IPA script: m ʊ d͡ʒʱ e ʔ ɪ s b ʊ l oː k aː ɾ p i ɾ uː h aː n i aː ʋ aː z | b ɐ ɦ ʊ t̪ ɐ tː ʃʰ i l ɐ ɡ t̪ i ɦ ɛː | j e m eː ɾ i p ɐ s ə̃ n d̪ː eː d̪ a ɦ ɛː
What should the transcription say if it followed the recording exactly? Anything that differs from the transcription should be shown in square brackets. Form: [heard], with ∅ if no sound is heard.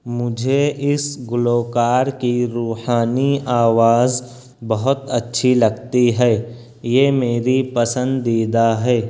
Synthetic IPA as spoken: m ʊ d͡ʒʱ e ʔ ɪ s [ɡ] ʊ l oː k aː ɾ [k] i ɾ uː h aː n i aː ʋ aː z | b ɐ ɦ ʊ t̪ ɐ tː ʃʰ i l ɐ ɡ t̪ i ɦ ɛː | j e m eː ɾ i p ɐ s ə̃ n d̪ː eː d̪ a ɦ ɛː

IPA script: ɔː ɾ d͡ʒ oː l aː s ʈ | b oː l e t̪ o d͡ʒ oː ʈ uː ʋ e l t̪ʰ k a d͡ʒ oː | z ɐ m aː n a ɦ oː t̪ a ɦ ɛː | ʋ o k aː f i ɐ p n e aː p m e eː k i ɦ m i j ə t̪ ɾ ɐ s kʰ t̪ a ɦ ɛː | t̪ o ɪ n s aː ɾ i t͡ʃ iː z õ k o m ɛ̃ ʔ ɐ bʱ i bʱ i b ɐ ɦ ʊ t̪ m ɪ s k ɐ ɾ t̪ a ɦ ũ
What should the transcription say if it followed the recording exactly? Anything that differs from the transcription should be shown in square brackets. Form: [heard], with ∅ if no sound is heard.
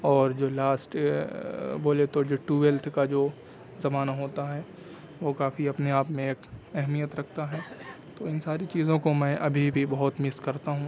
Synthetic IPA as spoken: ɔː ɾ d͡ʒ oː l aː s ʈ | b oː l e t̪ o d͡ʒ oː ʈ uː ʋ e l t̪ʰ k a d͡ʒ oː | z ɐ m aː n a ɦ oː t̪ a ɦ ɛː | ʋ o k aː f i ɐ p n e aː p m [ẽ] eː k [ɛ] ɦ m i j ə t̪ ɾ ɐ [∅] kʰ t̪ a ɦ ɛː | t̪ o ɪ n s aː ɾ i t͡ʃ iː z õ k o m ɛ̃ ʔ ɐ bʱ i bʱ i b ɐ ɦ ʊ t̪ m ɪ s k ɐ ɾ t̪ a ɦ ũ

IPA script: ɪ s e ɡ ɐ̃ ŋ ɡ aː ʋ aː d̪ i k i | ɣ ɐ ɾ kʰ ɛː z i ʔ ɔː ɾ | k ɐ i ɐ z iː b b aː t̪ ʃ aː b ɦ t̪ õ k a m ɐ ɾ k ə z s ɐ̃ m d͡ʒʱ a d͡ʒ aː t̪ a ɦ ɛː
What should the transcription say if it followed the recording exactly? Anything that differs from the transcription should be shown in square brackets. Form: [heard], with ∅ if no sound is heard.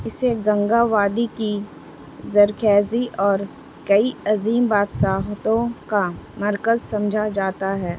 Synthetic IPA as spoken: ɪ s e ɡ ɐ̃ ŋ ɡ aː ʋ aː d̪ i k i | [z] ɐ ɾ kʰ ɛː z i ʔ ɔː ɾ | k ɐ i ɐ z iː [m] b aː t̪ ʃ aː [∅] ɦ t̪ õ k a m ɐ ɾ k ə z s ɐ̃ m d͡ʒʱ a d͡ʒ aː t̪ a ɦ ɛː

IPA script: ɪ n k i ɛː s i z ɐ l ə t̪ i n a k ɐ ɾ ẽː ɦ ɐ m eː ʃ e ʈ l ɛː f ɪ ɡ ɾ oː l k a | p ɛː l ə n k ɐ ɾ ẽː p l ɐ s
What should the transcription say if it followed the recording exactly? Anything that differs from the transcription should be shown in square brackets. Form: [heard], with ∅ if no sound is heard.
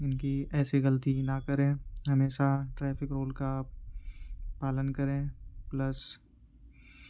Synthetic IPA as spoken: ɪ n k i ɛː s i [ɣ] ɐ l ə t̪ i n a k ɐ ɾ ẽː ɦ ɐ m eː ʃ [a] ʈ [ɾ] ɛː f ɪ [k] ɾ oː l k a | p [aː] l ə n k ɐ ɾ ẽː p l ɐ s

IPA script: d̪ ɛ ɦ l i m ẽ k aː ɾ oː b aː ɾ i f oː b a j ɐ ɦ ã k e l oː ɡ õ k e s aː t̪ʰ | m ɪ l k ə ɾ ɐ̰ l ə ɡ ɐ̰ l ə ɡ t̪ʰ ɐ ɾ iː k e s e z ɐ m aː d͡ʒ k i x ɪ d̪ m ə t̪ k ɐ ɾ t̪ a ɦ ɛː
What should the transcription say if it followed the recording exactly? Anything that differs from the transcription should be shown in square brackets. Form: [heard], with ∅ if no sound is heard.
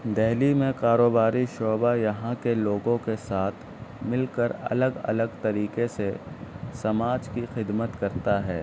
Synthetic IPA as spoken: d̪ ɛ ɦ l i m ẽ k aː ɾ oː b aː ɾ i [ʃ] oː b a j ɐ ɦ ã k e l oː ɡ õ k e s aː t̪ʰ | m ɪ l k ə ɾ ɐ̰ l ə ɡ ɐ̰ l ə ɡ [t̪] ɐ ɾ iː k e s e [s] ɐ m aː d͡ʒ k i x ɪ d̪ m ə t̪ k ɐ ɾ t̪ a ɦ ɛː

